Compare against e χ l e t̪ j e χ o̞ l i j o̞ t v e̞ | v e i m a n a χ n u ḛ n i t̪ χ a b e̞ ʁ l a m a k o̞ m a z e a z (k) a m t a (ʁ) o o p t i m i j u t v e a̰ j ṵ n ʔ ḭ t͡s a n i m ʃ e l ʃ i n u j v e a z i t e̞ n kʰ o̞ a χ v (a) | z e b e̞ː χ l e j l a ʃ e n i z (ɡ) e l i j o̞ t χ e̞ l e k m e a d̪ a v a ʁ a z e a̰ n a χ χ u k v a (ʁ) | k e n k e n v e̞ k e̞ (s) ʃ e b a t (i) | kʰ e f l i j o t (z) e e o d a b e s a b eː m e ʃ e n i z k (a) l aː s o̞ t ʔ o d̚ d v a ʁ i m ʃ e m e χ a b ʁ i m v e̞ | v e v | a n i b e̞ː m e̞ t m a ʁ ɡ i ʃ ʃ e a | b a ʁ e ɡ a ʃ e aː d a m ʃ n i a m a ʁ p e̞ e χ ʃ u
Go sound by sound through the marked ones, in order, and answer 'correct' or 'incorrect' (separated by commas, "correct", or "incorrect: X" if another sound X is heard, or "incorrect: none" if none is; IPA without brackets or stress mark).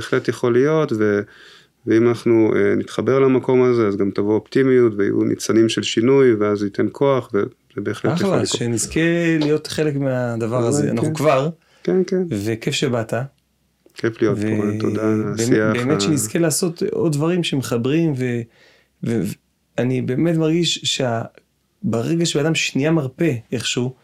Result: incorrect: ɡ, incorrect: v, incorrect: e, incorrect: k, correct, incorrect: f, incorrect: a, incorrect: v, incorrect: e